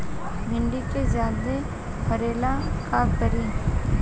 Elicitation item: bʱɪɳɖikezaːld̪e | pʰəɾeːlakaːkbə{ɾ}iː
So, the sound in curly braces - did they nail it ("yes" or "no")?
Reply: yes